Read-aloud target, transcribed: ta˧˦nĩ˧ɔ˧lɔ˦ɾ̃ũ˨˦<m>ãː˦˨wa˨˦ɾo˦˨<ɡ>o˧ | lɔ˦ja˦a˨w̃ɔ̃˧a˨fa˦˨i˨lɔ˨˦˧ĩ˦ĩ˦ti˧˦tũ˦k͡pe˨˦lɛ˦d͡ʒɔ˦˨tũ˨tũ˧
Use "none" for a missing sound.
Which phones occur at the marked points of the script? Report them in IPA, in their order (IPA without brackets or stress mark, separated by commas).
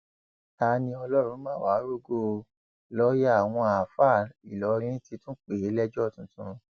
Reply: m, ɡ